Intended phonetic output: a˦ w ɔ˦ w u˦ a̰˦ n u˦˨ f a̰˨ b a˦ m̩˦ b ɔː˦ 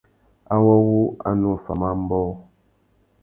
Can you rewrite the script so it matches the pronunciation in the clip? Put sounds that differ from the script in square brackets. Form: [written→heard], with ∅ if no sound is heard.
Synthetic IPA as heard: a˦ w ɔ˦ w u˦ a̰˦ n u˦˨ f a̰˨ [b→m] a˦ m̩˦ b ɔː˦